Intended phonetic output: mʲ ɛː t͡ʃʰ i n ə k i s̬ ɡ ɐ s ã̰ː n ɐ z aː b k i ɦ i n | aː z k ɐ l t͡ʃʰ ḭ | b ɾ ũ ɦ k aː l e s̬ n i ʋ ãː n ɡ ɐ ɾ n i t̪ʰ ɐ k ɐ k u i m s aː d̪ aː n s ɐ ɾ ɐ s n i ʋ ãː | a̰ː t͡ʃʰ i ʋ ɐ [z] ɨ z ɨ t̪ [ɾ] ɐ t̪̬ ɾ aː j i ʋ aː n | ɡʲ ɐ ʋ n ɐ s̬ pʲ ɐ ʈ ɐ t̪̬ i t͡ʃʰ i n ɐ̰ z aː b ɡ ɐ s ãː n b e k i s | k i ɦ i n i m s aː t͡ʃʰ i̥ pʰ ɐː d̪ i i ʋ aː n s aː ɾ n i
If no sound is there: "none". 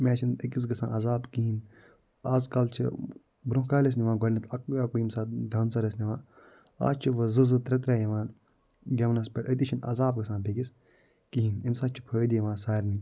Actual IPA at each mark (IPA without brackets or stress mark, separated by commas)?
z, ɾ